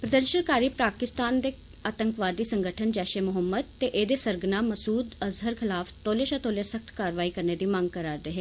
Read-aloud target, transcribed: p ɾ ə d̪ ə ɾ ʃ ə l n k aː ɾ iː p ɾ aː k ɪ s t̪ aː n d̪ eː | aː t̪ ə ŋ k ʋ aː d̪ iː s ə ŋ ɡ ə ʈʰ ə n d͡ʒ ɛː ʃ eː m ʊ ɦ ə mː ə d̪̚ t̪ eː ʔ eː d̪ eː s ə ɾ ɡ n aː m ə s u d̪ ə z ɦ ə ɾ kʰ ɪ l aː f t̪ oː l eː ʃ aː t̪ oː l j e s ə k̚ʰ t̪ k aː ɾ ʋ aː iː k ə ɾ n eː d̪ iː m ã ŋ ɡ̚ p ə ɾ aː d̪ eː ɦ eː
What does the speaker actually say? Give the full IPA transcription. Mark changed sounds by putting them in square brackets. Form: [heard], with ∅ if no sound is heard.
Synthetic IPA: p ɾ ə d̪ ə ɾ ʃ ə [∅] n k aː ɾ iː p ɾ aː k ɪ s t̪ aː n d̪ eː | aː t̪ ə ŋ k ʋ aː d̪ iː s ə ŋ ɡ ə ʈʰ ə n d͡ʒ ɛː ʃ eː m ʊ ɦ ə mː ə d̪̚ t̪ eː ʔ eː d̪ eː s ə ɾ ɡ n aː m ə s [uː] d̪ ə z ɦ ə ɾ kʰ ɪ l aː f t̪ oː l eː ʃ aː t̪ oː l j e s ə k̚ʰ t̪ k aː ɾ ʋ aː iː k ə ɾ n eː d̪ iː m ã ŋ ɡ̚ [k] ə ɾ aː d̪ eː ɦ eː